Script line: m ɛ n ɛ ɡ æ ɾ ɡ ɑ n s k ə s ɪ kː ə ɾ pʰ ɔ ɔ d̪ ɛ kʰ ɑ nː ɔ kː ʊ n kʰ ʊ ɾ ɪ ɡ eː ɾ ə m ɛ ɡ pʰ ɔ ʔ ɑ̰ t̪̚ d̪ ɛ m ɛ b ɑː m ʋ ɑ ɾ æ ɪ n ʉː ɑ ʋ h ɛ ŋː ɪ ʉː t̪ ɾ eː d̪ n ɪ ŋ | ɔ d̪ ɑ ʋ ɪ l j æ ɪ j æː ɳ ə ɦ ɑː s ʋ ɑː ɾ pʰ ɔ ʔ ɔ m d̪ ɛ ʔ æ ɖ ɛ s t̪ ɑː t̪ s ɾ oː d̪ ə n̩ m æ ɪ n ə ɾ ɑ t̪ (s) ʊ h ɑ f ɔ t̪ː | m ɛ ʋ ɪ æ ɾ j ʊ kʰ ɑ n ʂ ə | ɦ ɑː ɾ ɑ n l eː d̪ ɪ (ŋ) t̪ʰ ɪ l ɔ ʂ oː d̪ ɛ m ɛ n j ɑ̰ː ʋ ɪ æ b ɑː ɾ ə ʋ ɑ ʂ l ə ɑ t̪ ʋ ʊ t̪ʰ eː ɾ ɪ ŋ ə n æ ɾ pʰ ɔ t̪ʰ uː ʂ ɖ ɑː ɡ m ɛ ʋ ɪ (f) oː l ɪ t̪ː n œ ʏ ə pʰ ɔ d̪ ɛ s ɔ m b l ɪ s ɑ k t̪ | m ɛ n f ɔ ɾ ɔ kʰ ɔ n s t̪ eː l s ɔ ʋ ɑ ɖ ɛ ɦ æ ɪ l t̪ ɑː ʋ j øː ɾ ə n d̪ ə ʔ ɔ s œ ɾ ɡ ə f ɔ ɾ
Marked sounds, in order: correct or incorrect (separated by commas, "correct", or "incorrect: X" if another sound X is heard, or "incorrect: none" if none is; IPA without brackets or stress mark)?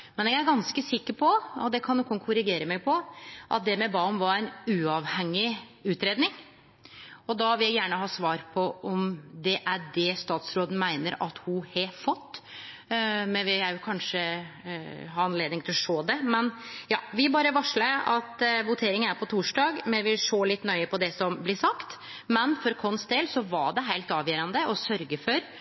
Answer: incorrect: h, correct, incorrect: ʂ